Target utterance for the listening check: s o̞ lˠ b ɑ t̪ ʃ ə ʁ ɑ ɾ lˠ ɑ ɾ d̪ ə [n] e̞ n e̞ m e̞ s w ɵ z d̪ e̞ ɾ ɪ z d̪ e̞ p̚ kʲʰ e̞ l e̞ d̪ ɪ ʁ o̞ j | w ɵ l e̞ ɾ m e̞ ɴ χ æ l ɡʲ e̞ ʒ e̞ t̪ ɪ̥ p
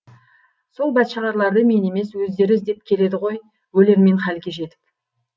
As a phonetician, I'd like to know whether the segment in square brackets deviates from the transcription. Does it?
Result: yes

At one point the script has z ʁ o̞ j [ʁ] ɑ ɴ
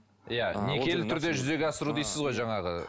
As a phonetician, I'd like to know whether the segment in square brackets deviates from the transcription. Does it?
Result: yes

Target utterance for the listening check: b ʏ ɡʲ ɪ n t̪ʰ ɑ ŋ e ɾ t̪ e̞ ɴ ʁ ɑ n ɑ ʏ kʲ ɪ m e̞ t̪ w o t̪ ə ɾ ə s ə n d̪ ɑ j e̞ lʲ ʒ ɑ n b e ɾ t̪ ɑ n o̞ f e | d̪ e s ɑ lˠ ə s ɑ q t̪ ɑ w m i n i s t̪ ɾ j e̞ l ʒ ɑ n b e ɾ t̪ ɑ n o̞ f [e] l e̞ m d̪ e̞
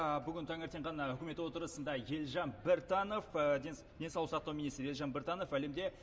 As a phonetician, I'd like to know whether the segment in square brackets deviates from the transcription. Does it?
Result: yes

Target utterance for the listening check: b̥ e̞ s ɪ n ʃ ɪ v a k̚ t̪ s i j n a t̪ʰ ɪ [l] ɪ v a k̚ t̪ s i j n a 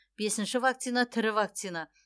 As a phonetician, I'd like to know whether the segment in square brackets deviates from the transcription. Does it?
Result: yes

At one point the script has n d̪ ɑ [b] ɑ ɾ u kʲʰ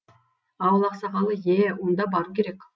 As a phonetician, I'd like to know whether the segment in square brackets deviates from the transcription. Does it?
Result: no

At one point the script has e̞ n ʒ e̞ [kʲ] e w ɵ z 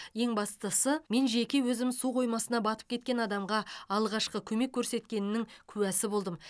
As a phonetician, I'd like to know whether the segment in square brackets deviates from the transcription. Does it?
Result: no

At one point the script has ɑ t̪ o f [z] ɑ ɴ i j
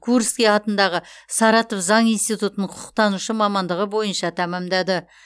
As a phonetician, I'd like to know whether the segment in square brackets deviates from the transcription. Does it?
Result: no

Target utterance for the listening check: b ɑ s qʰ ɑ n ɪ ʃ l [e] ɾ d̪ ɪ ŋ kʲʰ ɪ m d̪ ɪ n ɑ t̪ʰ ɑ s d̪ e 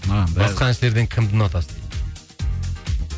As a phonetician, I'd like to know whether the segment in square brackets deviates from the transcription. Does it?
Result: no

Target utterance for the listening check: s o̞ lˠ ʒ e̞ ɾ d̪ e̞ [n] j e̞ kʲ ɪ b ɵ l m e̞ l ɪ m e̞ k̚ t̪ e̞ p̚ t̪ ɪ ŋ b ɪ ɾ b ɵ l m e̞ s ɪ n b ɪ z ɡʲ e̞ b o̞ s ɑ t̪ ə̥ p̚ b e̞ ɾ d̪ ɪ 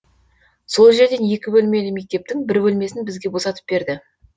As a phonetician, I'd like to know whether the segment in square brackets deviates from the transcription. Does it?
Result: no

